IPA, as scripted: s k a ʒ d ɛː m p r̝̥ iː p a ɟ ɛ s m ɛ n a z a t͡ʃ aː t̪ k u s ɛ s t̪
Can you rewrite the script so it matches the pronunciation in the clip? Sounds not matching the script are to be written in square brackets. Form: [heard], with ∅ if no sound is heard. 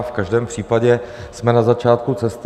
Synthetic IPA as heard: [f] k a ʒ d ɛː m p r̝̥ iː p a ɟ ɛ s m ɛ n a z a t͡ʃ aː t̪ k u [t͡s] ɛ s t̪